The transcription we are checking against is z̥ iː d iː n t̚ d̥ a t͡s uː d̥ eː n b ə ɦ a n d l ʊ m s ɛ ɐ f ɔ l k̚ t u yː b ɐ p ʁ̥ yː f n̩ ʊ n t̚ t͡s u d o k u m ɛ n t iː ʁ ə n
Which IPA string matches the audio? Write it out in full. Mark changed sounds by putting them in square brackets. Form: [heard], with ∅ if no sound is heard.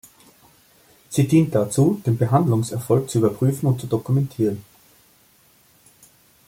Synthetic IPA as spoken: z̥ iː d iː n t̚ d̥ a t͡s uː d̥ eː n b ə ɦ a n d l ʊ [ŋ] s ɛ ɐ f ɔ l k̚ [t͡s] u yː b ɐ p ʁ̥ yː f n̩ ʊ n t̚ t͡s u d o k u m ɛ n [tʰ] iː ʁ ə n